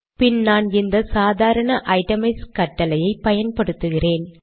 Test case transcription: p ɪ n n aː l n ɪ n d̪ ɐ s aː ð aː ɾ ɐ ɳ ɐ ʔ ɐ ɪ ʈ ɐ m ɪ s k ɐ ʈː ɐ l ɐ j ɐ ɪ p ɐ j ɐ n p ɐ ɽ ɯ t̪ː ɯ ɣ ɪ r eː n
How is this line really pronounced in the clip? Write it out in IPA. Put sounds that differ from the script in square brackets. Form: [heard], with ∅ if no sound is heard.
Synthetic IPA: p ɪ n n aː [∅] n ɪ n d̪ ɐ s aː ð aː ɾ ɐ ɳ ɐ ʔ ɐ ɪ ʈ ɐ m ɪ s k ɐ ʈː ɐ l ɐ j ɐ ɪ p ɐ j ɐ n p ɐ ɽ ɯ t̪ː ɯ ɣ ɪ r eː n